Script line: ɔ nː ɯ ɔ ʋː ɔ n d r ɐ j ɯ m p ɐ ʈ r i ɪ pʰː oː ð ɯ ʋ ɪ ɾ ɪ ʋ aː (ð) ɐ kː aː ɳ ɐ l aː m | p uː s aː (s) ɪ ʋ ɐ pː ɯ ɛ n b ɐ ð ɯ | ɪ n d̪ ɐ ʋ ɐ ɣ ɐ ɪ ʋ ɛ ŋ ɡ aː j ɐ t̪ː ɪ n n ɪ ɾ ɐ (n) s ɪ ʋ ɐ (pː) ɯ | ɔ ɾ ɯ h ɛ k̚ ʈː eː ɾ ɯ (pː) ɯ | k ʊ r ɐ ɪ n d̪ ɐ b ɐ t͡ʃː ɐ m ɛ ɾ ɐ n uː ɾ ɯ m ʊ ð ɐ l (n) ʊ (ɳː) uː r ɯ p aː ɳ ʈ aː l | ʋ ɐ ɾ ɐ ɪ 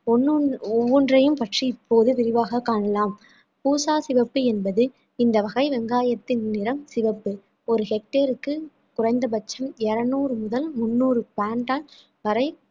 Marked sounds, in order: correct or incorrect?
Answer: incorrect, correct, incorrect, correct, incorrect, incorrect, incorrect

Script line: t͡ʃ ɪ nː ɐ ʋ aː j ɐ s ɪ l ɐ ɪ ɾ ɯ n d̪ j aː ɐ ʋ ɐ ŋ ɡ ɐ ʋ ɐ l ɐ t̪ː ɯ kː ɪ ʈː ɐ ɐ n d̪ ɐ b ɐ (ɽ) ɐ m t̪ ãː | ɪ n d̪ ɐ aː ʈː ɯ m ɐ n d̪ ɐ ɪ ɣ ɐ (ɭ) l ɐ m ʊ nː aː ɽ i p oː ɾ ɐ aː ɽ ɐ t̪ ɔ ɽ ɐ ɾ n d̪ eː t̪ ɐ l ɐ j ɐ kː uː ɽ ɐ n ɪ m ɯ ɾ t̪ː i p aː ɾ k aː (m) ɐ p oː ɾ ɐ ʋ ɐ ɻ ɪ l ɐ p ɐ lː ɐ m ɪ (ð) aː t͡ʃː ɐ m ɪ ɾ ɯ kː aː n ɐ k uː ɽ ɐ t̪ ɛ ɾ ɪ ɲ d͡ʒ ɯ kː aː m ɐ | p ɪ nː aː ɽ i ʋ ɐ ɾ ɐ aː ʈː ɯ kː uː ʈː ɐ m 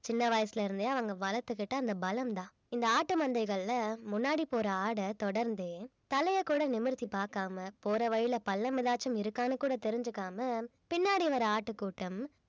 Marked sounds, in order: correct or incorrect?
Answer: incorrect, correct, correct, correct

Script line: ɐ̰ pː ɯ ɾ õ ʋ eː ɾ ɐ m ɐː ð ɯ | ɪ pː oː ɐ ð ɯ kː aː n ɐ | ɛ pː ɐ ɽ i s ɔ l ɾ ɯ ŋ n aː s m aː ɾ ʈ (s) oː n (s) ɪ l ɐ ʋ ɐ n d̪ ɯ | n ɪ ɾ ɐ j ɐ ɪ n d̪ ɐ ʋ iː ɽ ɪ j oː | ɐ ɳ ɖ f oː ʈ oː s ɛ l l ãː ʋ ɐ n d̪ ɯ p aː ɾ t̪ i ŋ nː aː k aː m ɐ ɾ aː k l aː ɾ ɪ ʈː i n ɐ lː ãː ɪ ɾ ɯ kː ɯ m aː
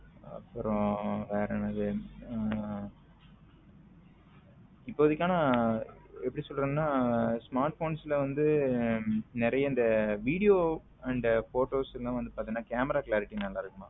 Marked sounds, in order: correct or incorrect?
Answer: incorrect, correct

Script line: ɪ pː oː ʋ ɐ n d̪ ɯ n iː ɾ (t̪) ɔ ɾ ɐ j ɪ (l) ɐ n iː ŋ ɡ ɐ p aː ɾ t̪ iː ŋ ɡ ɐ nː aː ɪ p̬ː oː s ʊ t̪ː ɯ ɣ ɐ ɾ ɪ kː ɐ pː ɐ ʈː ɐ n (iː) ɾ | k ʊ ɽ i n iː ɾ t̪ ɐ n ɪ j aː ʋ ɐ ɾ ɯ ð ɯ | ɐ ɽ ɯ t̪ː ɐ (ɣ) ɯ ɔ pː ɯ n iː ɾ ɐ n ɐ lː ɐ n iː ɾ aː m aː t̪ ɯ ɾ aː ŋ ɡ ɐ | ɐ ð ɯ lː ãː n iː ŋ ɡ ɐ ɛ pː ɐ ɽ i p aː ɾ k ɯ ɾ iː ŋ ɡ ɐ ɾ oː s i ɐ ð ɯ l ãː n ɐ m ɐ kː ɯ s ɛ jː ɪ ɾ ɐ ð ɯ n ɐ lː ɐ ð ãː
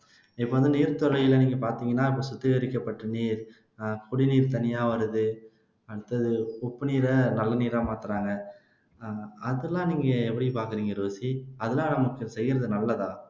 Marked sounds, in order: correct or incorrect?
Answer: correct, correct, correct, incorrect

